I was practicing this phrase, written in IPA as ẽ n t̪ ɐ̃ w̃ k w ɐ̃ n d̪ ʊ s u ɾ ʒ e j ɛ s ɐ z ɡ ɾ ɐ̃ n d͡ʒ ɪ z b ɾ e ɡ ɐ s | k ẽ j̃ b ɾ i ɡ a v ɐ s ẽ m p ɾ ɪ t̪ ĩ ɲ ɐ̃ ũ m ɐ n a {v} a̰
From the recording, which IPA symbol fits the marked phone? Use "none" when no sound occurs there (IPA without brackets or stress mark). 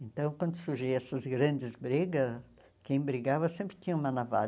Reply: v